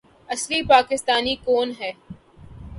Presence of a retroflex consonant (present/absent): absent